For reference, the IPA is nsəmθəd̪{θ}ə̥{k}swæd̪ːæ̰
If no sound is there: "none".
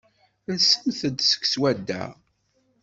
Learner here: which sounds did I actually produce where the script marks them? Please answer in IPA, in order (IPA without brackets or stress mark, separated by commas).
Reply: s, k